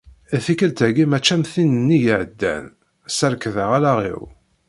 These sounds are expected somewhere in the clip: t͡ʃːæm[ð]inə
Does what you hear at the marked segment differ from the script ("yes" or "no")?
yes